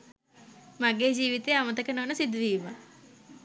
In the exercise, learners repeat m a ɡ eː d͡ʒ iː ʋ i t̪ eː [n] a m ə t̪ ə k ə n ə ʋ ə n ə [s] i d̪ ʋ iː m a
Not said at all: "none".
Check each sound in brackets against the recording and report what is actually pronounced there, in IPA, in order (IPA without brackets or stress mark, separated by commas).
none, s